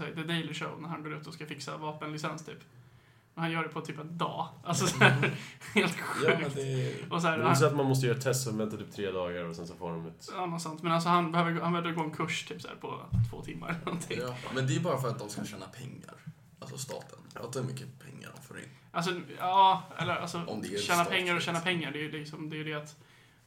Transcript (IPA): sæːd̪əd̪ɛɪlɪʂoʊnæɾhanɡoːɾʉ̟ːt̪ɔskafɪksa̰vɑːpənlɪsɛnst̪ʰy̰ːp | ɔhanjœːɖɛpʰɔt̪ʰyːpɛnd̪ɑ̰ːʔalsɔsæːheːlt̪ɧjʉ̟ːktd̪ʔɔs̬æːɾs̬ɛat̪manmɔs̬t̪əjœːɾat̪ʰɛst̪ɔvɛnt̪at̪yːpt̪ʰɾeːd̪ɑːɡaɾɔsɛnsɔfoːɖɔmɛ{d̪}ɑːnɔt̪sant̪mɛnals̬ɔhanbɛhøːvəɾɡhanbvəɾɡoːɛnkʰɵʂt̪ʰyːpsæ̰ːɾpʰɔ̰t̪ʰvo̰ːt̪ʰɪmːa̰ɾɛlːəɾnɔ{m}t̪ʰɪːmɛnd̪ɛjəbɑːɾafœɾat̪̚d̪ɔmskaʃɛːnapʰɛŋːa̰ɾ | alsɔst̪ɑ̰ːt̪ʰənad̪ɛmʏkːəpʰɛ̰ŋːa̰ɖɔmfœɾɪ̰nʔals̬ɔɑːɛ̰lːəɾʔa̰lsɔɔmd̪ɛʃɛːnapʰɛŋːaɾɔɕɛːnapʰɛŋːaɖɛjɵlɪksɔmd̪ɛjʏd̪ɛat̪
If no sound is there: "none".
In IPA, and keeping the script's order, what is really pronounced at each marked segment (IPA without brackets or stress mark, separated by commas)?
t̪, n